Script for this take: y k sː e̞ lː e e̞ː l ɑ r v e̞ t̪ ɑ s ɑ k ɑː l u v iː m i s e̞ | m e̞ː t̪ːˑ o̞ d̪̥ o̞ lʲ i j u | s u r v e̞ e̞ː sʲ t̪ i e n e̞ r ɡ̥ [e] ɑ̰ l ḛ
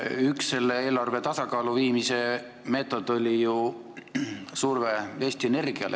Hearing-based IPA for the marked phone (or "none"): i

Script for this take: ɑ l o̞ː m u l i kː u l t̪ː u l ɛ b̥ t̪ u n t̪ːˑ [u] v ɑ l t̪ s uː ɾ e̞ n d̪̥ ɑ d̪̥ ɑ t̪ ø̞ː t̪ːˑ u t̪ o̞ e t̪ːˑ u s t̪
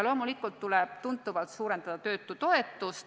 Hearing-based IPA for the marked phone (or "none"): u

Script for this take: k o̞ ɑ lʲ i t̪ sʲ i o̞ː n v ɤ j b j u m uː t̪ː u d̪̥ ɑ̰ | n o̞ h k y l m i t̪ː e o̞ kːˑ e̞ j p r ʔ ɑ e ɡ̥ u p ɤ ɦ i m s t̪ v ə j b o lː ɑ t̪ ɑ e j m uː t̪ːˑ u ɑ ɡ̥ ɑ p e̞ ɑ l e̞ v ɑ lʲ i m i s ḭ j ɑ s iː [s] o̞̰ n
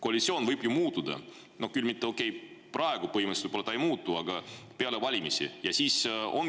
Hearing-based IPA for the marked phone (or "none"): s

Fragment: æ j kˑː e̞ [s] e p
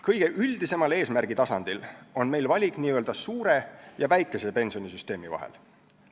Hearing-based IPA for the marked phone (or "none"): s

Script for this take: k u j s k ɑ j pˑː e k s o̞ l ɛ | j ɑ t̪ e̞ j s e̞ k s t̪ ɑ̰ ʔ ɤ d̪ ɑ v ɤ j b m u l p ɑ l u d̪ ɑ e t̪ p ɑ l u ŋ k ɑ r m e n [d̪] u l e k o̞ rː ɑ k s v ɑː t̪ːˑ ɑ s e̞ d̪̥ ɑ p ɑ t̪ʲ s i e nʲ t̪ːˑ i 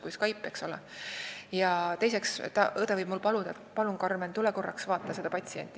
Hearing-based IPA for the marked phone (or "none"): t̪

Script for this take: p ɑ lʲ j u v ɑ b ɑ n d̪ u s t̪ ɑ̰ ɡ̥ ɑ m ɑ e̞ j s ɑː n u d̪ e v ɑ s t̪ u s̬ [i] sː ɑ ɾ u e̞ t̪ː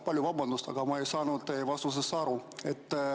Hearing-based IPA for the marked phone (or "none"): e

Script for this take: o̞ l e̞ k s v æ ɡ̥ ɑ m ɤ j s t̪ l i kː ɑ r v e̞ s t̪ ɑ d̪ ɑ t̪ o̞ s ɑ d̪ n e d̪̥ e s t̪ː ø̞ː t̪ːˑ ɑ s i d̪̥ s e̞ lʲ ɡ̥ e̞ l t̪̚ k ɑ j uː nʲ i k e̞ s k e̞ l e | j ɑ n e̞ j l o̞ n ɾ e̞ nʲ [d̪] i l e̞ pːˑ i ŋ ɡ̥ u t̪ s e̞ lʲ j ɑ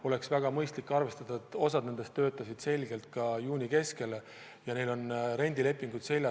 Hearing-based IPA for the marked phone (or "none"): d̪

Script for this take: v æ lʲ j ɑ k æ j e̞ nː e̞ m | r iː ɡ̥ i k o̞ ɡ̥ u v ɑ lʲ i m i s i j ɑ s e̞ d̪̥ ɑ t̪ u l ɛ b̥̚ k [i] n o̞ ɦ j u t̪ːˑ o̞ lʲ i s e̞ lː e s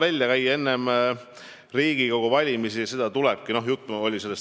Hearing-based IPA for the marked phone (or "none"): i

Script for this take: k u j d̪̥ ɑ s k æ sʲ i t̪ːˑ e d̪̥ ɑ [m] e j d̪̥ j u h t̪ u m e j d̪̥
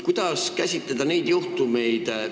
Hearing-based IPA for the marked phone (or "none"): n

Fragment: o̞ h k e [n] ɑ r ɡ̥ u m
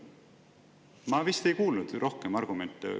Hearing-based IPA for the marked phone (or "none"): m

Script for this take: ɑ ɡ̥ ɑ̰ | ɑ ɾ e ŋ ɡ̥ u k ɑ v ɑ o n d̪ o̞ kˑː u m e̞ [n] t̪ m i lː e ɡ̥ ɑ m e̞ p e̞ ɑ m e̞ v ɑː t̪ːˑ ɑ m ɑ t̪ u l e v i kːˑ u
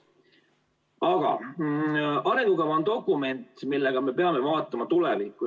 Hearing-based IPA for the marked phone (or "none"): n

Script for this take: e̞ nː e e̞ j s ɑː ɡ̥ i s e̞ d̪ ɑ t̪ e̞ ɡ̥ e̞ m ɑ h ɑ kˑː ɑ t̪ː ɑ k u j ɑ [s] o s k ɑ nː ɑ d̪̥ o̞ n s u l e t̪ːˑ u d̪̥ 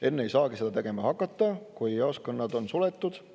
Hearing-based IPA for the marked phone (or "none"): none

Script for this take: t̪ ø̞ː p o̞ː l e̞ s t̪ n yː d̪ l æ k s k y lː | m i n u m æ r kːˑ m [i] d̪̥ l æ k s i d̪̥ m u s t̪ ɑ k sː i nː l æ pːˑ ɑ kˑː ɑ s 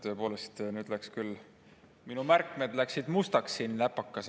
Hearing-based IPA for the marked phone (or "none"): e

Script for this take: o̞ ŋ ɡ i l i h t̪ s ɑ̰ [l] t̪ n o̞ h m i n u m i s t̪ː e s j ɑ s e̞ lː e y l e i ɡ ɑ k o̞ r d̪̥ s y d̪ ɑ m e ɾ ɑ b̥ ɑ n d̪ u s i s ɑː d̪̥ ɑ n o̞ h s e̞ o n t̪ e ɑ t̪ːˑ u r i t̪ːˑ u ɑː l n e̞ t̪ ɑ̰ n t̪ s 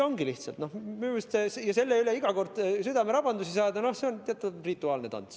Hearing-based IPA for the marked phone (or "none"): l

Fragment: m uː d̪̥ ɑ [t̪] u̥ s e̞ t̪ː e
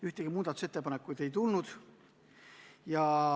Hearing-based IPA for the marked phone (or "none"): t̪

